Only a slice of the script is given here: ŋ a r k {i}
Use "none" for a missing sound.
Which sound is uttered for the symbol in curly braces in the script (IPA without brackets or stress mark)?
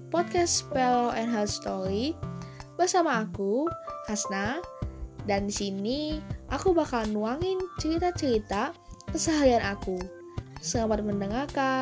a